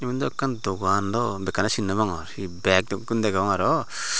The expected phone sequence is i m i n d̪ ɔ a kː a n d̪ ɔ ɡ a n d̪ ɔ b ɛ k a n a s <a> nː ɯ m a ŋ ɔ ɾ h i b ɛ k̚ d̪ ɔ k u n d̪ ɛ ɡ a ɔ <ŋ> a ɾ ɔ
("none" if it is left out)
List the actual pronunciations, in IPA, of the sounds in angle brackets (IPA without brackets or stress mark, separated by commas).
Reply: i, ŋ